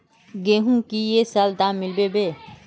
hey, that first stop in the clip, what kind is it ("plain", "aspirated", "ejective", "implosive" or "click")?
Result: plain